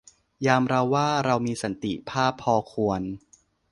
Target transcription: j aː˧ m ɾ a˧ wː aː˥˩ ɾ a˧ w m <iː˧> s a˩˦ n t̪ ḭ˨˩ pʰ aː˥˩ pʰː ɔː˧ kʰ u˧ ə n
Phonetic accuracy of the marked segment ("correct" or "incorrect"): correct